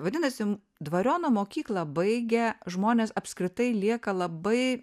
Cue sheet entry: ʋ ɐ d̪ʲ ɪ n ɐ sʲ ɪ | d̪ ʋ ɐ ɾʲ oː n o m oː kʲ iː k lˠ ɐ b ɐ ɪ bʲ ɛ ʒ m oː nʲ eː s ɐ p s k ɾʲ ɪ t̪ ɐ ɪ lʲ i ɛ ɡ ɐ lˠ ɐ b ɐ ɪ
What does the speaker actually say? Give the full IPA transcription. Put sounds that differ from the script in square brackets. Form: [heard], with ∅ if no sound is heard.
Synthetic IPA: ʋ ɐ d̪ʲ ɪ n ɐ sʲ ɪ | d̪ ʋ ɐ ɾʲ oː n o m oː kʲ iː k lˠ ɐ b ɐ ɪ [ɡʲ] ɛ ʒ m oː nʲ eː s ɐ p s k ɾʲ ɪ t̪ ɐ ɪ lʲ i ɛ [k] ɐ lˠ ɐ b ɐ ɪ